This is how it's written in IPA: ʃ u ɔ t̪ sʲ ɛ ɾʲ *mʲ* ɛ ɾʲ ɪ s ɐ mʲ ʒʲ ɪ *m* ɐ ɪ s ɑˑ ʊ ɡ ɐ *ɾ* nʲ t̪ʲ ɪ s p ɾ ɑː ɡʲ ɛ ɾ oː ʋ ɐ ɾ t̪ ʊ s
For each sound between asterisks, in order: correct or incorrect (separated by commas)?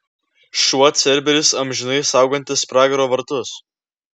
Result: incorrect, incorrect, incorrect